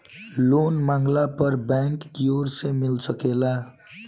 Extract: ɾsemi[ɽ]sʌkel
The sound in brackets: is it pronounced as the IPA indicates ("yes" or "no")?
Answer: no